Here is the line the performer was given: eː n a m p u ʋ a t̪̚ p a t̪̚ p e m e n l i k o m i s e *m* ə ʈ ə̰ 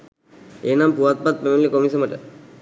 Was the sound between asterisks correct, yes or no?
yes